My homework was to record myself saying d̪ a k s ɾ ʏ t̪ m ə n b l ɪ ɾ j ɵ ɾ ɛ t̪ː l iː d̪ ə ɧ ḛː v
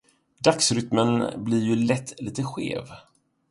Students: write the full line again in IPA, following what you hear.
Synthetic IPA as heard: d̪ a k s ɾ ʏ t̪ m ə n b l ɪ ɾ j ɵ l ɛ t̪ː l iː t̪ ə ɧ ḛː v